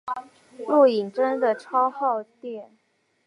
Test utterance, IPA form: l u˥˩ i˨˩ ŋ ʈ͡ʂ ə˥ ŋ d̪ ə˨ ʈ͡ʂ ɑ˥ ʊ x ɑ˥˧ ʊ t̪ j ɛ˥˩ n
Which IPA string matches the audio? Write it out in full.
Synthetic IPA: l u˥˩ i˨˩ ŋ ʈ͡ʂ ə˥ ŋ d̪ ə˨ ʈ͡ʂʰ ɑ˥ ʊ x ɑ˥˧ ʊ t̪ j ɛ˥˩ n